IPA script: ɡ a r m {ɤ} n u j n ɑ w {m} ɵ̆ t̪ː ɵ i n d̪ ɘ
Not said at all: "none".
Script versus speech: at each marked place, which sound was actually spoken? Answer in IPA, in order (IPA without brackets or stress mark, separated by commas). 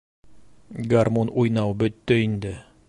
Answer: o, b